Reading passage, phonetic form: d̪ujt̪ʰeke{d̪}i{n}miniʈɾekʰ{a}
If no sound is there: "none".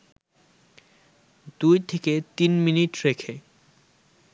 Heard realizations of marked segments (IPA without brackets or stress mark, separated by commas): t̪, n, e